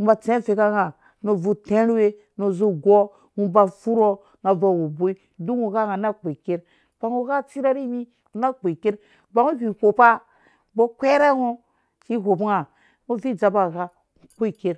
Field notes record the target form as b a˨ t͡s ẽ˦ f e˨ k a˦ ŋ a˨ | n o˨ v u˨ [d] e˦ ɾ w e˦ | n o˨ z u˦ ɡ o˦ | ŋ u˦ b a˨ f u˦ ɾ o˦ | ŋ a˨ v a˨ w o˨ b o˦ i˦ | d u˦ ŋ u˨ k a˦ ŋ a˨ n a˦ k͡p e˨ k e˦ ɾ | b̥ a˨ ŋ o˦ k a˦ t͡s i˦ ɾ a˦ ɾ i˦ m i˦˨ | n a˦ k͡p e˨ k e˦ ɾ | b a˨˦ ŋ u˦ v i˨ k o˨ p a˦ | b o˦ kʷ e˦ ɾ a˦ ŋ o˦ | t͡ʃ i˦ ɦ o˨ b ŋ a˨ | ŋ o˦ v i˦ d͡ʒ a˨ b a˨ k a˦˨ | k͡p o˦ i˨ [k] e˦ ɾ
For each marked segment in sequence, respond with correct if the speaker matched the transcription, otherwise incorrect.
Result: incorrect, correct

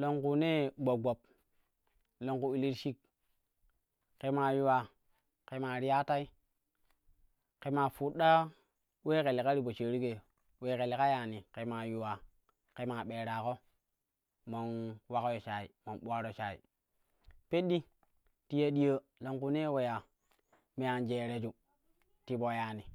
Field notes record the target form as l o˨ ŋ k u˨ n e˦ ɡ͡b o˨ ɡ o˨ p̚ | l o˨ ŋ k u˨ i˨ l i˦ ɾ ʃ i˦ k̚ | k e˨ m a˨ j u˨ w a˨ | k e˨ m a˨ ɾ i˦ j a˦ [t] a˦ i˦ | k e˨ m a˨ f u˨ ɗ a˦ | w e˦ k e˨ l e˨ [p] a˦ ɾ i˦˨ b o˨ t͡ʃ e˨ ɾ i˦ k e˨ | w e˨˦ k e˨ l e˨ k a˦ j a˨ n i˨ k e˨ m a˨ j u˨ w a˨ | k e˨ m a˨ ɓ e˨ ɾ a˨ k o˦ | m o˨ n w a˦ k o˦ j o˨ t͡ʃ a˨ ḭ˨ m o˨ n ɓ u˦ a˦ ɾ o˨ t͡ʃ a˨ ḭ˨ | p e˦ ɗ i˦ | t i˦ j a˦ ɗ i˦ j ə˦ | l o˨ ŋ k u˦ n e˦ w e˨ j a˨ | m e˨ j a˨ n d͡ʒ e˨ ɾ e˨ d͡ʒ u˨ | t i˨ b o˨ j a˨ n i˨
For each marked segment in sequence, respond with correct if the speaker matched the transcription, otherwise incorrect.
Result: correct, incorrect

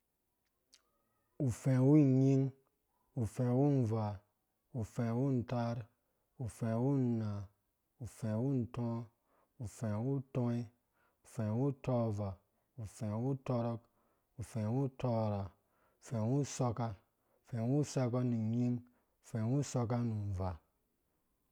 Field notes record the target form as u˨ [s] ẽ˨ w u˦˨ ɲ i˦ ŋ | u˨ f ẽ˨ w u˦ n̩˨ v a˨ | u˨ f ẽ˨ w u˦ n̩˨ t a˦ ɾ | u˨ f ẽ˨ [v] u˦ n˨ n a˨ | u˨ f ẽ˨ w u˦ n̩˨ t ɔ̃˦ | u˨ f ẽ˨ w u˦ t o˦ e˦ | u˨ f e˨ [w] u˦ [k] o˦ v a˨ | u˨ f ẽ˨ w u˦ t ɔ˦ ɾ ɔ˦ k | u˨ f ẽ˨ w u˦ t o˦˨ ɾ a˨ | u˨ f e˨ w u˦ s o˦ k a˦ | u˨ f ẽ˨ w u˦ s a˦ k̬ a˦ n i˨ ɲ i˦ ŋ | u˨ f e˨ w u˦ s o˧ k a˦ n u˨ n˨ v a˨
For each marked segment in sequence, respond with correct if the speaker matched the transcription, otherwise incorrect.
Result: incorrect, incorrect, correct, incorrect

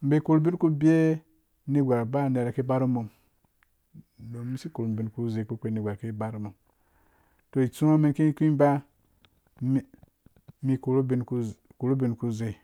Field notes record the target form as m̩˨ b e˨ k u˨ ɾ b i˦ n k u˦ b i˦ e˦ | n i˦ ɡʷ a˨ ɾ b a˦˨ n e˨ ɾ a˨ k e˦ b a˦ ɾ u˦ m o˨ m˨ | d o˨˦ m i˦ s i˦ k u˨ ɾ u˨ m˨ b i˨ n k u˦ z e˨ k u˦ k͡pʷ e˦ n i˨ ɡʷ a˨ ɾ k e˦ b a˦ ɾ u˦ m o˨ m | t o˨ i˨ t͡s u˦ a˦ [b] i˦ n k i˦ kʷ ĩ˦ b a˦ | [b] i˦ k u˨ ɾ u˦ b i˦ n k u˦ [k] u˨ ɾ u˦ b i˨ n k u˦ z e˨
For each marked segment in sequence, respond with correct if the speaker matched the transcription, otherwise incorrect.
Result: incorrect, incorrect, correct

